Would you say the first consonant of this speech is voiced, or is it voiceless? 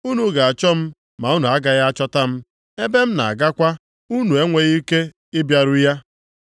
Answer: voiced